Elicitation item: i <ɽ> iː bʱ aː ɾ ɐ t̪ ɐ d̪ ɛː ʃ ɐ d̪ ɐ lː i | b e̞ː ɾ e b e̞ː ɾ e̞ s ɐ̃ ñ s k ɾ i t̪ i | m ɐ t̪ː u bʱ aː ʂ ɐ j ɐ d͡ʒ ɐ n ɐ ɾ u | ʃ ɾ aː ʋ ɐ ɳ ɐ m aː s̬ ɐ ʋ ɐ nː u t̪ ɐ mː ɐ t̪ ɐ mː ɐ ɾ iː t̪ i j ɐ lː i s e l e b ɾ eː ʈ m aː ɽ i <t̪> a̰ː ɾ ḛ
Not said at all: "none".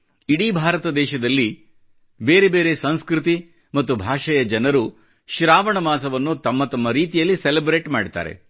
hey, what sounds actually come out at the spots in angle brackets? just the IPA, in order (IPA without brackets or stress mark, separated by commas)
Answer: ɽ, t̪